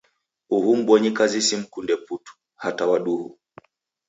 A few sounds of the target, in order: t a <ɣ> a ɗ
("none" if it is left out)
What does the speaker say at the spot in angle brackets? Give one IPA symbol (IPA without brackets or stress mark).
w